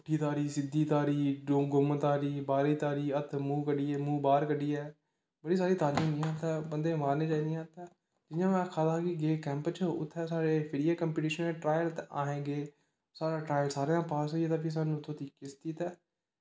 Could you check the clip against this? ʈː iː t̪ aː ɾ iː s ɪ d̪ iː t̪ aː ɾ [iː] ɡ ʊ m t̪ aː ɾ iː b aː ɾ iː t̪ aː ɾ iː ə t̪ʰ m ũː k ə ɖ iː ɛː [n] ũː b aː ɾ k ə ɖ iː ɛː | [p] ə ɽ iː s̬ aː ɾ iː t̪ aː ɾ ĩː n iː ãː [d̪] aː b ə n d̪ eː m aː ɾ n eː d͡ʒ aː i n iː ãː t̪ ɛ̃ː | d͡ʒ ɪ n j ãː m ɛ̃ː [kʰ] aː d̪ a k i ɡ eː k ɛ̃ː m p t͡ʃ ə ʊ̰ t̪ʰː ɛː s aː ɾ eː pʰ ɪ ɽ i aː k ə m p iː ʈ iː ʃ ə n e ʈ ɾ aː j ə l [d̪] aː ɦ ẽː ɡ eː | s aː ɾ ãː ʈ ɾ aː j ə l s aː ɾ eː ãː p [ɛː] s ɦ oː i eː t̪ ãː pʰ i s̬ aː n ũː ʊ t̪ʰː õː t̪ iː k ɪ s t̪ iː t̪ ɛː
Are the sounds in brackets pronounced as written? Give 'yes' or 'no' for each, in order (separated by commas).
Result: yes, no, no, no, yes, no, no